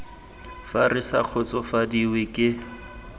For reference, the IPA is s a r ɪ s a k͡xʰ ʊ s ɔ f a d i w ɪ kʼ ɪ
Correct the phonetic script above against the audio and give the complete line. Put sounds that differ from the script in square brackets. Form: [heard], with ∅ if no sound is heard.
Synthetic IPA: [f] a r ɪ s a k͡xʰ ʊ [t͡s] ɔ f a d i w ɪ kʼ ɪ